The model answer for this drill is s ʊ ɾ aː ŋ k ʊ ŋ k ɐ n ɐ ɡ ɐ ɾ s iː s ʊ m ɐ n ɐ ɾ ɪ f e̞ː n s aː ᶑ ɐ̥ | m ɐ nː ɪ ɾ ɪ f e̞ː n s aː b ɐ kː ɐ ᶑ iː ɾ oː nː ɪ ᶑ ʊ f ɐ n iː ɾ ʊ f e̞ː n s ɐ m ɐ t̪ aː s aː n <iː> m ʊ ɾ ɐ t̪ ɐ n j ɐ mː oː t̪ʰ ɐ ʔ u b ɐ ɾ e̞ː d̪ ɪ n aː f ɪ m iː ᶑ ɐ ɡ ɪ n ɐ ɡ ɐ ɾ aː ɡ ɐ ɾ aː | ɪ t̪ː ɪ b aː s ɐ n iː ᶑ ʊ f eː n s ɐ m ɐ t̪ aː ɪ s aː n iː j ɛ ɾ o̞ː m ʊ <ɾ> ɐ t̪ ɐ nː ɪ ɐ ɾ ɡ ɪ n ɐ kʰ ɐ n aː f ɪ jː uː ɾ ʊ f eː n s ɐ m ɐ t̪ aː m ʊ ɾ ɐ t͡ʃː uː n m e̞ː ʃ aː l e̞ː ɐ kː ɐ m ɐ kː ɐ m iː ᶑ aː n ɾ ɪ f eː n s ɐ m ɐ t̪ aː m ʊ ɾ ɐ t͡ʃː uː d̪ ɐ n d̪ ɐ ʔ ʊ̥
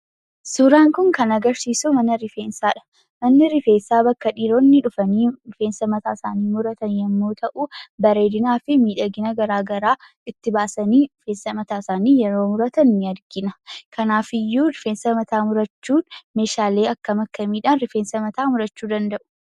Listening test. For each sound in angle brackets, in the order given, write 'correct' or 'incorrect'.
correct, correct

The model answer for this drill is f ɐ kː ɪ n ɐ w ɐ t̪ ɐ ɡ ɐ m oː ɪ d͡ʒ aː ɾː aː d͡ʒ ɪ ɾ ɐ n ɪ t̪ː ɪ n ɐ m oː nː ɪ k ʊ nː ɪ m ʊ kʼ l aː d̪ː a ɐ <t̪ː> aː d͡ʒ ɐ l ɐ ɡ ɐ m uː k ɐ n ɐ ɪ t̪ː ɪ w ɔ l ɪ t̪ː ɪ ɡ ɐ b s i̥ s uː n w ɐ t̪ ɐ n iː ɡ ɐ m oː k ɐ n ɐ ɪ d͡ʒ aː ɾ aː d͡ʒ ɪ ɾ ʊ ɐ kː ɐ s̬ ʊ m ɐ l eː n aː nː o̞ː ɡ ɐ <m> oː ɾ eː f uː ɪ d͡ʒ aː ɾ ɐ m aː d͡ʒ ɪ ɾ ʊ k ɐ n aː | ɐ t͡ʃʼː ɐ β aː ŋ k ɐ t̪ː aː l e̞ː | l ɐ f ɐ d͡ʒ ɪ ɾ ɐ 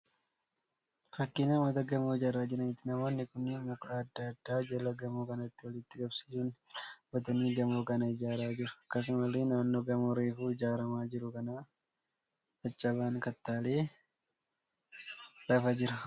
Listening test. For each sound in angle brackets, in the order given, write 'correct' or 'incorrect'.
incorrect: d̪ː, correct

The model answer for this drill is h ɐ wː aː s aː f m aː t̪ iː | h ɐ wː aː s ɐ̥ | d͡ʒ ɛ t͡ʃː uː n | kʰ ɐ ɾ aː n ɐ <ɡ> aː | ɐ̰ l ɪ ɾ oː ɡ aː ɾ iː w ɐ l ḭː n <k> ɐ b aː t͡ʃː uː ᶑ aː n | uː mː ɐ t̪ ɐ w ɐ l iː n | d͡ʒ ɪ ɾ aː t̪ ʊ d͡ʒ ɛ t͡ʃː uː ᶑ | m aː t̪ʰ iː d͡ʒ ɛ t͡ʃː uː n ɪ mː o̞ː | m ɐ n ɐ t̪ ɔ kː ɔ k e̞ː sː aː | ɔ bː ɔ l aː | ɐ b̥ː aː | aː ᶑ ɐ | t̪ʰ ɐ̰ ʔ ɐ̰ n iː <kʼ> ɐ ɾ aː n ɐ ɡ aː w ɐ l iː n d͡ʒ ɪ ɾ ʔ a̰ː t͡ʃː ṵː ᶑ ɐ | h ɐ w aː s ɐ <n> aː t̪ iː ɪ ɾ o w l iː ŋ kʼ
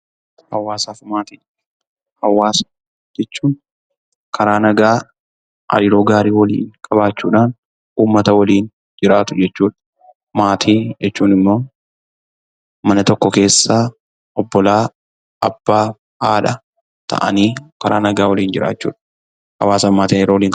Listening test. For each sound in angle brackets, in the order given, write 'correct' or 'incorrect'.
correct, incorrect: kʼ, incorrect: k, incorrect: m

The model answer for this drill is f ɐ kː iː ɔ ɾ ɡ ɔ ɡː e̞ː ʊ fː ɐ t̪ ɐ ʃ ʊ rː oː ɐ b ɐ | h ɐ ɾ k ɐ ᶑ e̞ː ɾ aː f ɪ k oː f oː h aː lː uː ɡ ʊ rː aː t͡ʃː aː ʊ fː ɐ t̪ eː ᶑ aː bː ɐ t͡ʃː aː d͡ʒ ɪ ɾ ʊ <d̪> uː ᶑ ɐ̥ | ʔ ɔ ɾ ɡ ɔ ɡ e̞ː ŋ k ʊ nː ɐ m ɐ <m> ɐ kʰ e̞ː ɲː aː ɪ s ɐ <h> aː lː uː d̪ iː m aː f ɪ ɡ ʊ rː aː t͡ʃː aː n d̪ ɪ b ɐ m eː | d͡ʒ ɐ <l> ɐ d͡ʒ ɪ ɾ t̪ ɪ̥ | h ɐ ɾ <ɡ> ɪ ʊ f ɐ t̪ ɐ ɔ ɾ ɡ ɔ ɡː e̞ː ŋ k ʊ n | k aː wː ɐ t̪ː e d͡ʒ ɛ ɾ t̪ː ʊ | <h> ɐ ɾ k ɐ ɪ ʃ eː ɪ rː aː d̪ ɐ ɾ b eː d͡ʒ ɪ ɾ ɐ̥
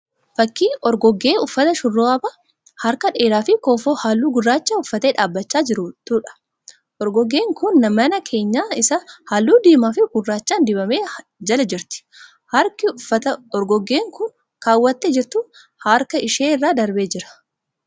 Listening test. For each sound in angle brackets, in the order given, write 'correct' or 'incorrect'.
incorrect: t̪, incorrect: n, correct, correct, incorrect: k, correct

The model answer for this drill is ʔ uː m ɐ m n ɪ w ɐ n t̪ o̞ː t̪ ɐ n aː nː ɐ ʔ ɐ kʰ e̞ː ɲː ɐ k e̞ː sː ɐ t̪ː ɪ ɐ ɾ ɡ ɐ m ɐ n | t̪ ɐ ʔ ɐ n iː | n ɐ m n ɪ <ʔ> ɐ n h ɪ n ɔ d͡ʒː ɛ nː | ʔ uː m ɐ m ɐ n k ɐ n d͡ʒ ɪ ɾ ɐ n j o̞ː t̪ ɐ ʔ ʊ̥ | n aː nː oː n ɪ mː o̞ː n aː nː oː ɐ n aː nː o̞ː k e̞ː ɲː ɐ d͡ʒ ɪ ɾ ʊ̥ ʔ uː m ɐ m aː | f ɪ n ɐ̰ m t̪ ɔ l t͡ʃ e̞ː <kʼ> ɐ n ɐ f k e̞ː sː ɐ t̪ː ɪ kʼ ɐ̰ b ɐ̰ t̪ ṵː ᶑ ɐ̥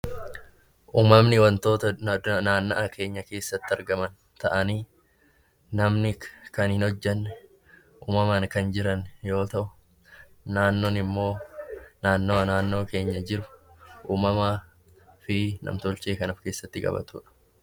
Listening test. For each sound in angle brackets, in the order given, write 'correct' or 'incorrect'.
incorrect: k, incorrect: k

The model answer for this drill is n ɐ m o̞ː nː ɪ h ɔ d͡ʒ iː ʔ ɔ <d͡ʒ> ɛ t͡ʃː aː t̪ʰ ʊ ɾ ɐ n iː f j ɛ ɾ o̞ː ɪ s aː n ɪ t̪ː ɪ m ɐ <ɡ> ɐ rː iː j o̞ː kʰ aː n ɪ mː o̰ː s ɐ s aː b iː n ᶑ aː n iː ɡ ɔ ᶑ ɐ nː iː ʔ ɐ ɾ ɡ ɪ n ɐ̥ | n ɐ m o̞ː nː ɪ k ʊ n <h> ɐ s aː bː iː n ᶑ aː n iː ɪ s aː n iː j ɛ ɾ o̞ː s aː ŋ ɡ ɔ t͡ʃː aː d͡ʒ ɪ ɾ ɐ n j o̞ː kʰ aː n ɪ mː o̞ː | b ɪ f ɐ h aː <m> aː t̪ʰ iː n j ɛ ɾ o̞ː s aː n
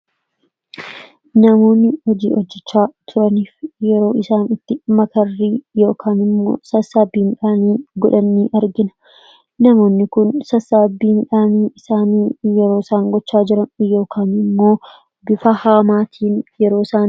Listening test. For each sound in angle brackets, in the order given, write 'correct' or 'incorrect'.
incorrect: d͡ʒː, incorrect: k, incorrect: s, correct

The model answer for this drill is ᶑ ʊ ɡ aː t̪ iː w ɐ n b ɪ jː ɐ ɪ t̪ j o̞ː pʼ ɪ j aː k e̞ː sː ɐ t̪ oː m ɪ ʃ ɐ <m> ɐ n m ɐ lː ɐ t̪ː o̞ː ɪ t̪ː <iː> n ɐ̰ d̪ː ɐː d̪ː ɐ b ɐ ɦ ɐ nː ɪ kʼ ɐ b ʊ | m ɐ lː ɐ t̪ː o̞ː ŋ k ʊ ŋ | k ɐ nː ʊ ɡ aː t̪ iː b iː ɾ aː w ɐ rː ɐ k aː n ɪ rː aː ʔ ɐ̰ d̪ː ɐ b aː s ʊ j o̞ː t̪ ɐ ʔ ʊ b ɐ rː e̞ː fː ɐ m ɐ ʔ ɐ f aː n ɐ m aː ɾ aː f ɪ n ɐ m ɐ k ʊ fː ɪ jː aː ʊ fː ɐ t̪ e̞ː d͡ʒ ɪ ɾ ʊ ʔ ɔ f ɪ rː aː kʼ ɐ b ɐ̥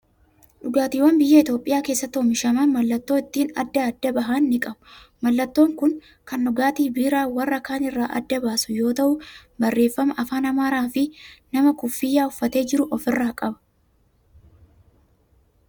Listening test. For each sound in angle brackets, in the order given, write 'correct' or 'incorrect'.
correct, correct

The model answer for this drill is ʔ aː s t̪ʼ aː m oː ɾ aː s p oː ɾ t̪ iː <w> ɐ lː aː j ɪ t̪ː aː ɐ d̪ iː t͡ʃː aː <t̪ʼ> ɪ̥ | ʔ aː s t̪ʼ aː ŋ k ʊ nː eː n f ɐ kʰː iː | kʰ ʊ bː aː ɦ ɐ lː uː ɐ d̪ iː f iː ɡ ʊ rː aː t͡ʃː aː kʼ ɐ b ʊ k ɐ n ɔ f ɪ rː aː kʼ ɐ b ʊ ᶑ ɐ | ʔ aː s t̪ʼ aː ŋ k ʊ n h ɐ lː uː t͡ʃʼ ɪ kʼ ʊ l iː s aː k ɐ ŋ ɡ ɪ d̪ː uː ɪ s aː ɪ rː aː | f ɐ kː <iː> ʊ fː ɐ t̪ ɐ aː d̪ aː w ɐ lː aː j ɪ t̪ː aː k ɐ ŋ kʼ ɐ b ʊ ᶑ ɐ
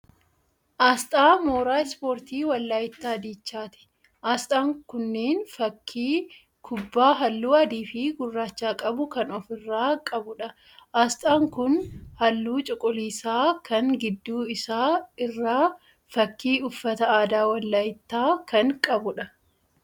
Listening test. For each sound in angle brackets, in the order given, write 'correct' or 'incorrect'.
correct, incorrect: t̪, correct

